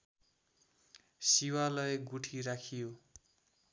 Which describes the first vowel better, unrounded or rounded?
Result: unrounded